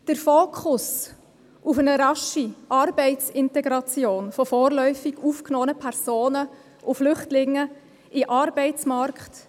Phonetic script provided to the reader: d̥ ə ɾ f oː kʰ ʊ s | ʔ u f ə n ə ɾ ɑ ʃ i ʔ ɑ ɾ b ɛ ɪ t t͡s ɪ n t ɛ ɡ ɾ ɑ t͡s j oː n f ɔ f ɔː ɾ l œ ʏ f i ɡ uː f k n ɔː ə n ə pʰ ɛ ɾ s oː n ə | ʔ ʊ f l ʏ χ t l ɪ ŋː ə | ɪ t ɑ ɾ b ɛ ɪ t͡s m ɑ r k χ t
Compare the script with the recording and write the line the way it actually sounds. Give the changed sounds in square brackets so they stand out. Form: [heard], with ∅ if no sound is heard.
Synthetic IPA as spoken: d̥ ə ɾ f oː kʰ ʊ s | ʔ u f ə n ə ɾ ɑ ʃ i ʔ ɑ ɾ b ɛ ɪ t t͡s ɪ n t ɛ ɡ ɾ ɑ t͡s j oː n f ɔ f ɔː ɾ l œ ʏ f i ɡ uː f k n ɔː ə n ə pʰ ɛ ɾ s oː n ə | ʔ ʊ f l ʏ χ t l ɪ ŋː ə | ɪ [ʔ] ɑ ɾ b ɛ ɪ t͡s m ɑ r k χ t